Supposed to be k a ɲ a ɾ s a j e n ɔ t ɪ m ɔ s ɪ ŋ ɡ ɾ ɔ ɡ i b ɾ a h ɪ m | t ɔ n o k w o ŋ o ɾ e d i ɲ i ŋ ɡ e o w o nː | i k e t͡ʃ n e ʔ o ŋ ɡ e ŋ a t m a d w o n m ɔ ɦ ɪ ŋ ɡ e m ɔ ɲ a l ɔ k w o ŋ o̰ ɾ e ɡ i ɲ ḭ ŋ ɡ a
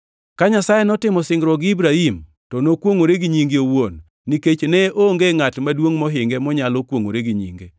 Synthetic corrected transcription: k a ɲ a s a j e n ɔ t ɪ m ɔ s ɪ ŋ ɡ ɾ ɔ ɡ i b ɾ a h i m | t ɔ n o k w o ŋ o ɾ e ɡ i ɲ i ŋ ɡ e o w o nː | i k e t͡ʃ n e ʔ o ŋ ɡ e ŋ a t m a d w o ŋ m ɔ ɦ ɪ ŋ ɡ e m ɔ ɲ a l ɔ k w o ŋ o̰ ɾ e ɡ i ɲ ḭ ŋ ɡ e

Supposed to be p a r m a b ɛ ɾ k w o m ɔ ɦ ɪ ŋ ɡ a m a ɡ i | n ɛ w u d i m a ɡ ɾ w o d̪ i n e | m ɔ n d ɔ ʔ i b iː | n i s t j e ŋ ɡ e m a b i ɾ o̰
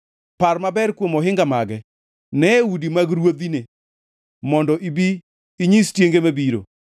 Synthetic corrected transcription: p a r m a b ɛ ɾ k w o m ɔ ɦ ɪ ŋ ɡ a m a ɡ ɛ | n ɛ w u d i m a ɡ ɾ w o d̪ i n e | m ɔ n d ɔ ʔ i b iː | ɲ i s t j e ŋ ɡ e m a b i ɾ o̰

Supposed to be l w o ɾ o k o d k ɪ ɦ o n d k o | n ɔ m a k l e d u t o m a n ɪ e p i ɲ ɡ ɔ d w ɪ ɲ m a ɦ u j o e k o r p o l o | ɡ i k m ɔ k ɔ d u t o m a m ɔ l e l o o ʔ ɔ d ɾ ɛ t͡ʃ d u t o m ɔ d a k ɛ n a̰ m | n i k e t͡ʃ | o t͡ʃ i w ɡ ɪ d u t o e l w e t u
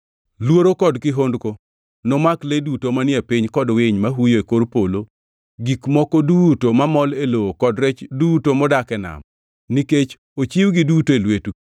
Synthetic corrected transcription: l w o ɾ o k ɔ d k ɪ ɦ o n d k o | n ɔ m a k l e d u t o m a n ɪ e p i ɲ k ɔ d w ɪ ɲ m a ɦ u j o e k o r p o l o | ɡ i k m ɔ k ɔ d u t o m a m ɔ l e l o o k ɔ d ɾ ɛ t͡ʃ d u t o m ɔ d a k ɛ n a̰ m | n i k e t͡ʃ | o t͡ʃ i w ɡ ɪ d u t o e l w e t u

